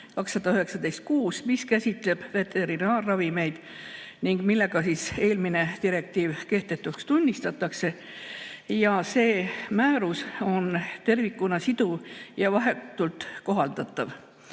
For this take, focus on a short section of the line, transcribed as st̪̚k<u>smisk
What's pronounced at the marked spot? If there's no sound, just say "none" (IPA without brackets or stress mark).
uː